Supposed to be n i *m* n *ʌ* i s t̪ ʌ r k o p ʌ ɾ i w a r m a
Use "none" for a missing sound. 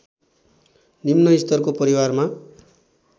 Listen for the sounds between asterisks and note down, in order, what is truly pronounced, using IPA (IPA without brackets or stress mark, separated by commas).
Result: m, ʌ